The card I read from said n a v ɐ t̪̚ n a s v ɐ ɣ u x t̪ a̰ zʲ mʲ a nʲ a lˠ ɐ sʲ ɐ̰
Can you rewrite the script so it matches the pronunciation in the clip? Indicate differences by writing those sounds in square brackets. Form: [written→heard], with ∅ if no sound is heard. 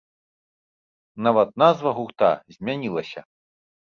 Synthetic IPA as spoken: n a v ɐ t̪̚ n a [s→z] v ɐ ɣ u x t̪ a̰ zʲ mʲ a nʲ [a→i] lˠ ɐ sʲ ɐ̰